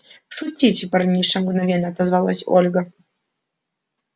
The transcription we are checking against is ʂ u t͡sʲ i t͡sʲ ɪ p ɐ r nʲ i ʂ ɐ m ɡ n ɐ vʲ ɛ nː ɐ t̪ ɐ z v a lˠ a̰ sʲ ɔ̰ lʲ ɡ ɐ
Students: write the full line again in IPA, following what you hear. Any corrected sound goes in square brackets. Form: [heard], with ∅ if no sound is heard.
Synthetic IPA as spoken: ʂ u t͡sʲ i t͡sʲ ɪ p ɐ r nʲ i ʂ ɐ m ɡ n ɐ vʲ ɛ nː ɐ t̪ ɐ z v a lˠ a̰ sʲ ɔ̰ lʲ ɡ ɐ